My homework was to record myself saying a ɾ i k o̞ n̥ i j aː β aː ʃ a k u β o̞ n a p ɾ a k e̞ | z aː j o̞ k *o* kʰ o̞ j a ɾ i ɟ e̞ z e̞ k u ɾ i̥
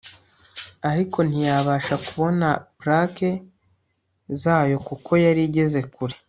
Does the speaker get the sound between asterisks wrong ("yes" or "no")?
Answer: yes